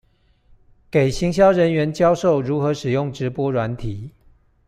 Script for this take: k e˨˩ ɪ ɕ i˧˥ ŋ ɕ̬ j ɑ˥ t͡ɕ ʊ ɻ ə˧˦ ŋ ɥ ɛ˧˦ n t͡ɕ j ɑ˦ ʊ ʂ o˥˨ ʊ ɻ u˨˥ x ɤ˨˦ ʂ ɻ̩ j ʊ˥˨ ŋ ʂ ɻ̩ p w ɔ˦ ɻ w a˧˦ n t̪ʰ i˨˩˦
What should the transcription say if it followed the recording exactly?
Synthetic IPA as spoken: k e˨˩ ɪ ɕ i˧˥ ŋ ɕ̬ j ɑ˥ ʊ ɻ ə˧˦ n ɥ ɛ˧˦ n t͡ɕ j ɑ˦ ʊ ʂ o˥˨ ʊ ɻ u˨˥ x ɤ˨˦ ʂ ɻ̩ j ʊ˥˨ ŋ ʈ͡ʂ ɻ̩ p w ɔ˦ ɻ w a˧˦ n t̪ʰ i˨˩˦